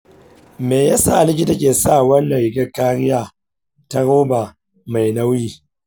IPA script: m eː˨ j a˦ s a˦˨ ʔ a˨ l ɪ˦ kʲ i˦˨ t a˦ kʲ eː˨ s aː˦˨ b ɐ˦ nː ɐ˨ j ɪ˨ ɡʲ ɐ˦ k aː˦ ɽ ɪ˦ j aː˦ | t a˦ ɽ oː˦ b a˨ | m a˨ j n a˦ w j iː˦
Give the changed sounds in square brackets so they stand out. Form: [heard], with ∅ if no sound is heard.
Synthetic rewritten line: m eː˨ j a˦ s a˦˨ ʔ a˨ l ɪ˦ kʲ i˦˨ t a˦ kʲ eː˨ s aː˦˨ [w] ɐ˦ nː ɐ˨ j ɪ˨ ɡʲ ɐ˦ k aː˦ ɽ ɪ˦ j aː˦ | t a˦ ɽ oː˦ b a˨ | m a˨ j n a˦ w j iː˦